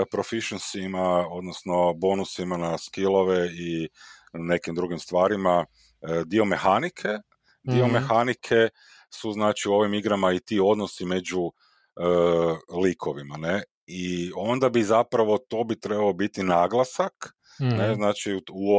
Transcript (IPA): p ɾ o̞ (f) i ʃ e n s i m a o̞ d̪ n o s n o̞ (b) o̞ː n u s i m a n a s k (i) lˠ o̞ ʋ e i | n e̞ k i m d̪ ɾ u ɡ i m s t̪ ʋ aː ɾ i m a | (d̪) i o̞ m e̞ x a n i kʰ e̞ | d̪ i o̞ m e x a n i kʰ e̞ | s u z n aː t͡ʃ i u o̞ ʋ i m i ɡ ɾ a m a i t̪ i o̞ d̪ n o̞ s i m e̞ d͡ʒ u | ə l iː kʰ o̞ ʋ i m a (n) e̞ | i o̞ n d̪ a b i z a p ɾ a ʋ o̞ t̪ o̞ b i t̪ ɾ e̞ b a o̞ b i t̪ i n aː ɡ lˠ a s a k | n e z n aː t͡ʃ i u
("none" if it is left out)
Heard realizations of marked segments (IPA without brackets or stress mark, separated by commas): f, b, i, d̪, n